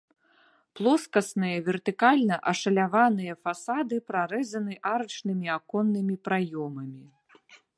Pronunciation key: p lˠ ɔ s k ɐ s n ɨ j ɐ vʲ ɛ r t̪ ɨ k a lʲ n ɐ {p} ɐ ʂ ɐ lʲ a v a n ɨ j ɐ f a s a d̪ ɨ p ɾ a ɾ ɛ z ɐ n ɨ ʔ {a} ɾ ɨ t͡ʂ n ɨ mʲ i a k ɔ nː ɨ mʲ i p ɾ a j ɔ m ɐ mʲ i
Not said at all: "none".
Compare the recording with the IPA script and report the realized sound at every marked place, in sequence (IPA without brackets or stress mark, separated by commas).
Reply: ʔ, a